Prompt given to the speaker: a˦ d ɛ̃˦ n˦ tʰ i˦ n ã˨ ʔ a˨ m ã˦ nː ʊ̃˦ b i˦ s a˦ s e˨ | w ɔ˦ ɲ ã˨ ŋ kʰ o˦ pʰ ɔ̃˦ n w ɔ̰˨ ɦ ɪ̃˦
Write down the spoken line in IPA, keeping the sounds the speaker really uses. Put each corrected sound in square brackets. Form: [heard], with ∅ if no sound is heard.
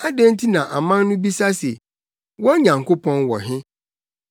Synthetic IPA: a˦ d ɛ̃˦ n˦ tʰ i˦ n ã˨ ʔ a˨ m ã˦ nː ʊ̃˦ b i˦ s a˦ s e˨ | w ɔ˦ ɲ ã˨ ŋ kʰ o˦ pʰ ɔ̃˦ n w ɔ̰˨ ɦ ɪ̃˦